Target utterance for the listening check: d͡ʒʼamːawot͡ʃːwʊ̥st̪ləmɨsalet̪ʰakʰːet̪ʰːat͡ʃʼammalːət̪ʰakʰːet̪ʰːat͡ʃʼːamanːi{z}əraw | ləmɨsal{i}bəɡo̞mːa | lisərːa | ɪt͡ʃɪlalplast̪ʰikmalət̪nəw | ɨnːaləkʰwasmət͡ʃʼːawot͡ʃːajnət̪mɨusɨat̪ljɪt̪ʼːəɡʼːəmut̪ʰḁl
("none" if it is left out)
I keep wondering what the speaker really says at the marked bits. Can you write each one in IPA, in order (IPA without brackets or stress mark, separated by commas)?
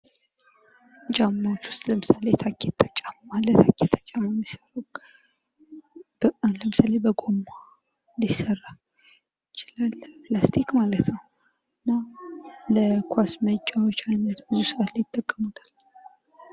s, e